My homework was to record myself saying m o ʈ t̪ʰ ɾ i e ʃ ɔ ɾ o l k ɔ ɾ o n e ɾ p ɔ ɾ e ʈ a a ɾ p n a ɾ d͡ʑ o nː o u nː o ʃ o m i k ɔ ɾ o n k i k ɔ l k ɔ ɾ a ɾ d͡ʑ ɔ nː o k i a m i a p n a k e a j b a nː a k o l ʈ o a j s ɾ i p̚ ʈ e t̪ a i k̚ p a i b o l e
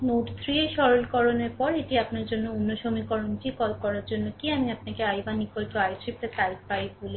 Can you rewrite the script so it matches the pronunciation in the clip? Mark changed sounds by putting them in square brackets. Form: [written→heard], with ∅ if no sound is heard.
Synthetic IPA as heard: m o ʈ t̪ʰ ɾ i e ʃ ɔ ɾ o l k ɔ ɾ o n e ɾ p ɔ ɾ e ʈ [a→i] a [ɾ→∅] p n a ɾ d͡ʑ o nː o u nː o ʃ o m i k ɔ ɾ o n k i k ɔ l k ɔ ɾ a ɾ d͡ʑ [ɔ→o] nː o k i a m i a p n a k e a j b a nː [a→i] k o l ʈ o a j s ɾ i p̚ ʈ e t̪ a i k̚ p a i b o l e